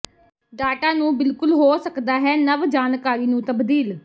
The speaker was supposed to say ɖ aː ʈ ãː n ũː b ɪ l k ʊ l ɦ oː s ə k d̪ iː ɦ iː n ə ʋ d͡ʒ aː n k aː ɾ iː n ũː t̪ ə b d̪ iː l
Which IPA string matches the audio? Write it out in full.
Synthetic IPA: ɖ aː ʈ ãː n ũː b ɪ l k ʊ l ɦ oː s ə k d̪ aː ɦ ɛː n ə ʋ d͡ʒ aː n k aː ɾ iː n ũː t̪ ə b d̪ iː l